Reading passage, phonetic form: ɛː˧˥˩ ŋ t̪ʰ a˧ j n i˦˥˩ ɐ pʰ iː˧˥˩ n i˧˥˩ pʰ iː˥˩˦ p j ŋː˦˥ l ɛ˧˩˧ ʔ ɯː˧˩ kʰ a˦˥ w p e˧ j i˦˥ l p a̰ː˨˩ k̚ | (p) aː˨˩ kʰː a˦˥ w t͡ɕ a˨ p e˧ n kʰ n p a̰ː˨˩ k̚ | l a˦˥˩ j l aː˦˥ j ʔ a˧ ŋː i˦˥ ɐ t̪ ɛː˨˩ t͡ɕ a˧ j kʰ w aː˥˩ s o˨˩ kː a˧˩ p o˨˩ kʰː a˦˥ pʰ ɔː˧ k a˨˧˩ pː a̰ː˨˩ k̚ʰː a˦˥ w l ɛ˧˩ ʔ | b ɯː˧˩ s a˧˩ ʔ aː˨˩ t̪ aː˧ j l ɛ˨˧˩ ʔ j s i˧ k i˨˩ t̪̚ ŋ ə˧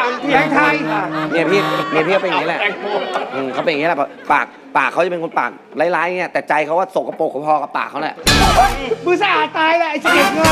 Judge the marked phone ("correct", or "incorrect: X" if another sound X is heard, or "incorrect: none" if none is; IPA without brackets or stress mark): correct